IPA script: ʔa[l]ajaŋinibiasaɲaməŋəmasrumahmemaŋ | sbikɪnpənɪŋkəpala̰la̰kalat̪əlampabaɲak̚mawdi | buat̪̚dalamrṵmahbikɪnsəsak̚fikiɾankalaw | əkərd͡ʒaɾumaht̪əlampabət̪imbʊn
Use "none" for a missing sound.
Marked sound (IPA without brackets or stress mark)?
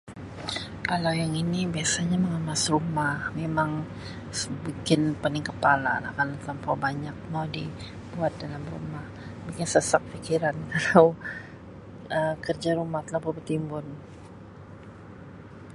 l